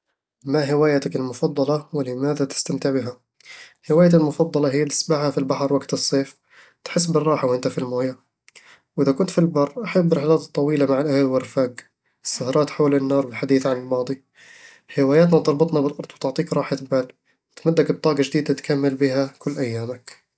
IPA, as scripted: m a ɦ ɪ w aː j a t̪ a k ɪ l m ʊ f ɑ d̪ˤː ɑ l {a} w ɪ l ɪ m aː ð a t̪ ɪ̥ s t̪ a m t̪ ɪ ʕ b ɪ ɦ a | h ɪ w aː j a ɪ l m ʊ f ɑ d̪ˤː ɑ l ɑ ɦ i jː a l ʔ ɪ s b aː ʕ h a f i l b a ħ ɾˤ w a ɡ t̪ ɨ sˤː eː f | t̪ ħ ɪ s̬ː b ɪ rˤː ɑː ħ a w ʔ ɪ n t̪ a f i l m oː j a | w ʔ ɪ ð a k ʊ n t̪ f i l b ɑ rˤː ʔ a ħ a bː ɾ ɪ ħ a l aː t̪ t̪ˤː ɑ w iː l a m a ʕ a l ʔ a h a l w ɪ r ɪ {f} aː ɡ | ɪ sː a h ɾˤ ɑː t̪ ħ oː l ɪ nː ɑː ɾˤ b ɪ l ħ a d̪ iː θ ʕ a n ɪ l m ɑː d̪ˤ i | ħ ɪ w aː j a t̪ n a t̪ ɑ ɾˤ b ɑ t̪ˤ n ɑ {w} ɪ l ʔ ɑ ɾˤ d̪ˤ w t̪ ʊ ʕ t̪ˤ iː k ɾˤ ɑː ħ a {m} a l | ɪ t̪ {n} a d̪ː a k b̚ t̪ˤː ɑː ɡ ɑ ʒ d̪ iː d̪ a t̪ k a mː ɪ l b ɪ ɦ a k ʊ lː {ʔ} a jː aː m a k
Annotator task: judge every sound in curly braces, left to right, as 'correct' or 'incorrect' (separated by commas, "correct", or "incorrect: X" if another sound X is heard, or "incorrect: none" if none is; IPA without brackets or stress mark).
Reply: incorrect: ɑ, correct, incorrect: b, incorrect: b, incorrect: m, correct